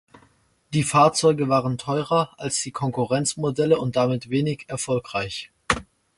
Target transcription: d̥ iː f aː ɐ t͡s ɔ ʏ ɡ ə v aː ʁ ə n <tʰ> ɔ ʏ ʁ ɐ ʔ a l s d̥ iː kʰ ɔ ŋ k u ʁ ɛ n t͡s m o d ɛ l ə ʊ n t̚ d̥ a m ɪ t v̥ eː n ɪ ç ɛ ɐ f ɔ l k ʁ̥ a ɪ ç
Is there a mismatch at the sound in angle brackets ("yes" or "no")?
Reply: no